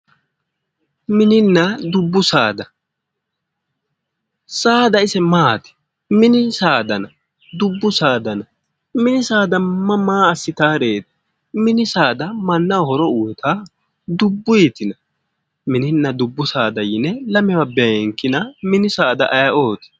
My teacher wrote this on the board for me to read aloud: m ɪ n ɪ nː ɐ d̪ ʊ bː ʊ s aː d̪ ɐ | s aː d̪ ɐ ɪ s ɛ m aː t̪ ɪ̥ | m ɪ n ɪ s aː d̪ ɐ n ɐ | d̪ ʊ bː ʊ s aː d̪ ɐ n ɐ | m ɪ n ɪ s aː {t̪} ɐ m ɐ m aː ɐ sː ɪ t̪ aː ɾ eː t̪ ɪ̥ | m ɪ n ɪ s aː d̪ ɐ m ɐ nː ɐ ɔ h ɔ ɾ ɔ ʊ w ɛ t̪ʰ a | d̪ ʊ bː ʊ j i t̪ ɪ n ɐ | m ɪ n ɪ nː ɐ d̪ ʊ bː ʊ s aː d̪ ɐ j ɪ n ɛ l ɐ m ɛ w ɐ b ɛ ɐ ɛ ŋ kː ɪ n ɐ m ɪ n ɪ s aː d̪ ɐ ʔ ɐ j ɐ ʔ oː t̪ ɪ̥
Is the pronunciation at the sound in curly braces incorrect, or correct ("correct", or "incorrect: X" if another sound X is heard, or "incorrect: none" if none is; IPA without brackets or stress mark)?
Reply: incorrect: d̪